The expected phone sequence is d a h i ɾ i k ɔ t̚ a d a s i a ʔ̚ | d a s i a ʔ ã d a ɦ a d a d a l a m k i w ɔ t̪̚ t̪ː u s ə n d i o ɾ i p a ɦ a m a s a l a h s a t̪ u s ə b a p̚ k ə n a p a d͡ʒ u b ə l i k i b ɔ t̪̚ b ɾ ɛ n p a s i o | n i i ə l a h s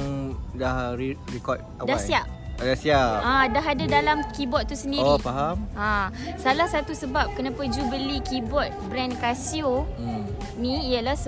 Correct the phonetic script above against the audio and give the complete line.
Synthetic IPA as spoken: d a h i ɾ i k ɔ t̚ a d a s i a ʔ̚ | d a s i a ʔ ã d a ɦ a d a d a l a m k i b ɔ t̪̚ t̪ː u s ə n d i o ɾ i p a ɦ a m a s a l a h s a t̪ u s ə b a p̚ k ə n a p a d͡ʒ u b ə l i k i b ɔ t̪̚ b ɾ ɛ n k a s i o | n i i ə l a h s